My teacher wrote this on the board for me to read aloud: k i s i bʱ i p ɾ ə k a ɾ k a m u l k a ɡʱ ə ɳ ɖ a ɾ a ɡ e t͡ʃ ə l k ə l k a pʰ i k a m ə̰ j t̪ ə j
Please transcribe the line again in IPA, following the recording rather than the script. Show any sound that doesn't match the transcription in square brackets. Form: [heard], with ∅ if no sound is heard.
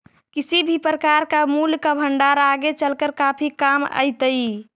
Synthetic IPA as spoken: k i s i bʱ i p ɾ ə k a ɾ k a m u l k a [bʱ] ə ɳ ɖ a ɾ a ɡ e t͡ʃ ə l k ə [ɾ] k a pʰ i k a m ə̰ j t̪ ə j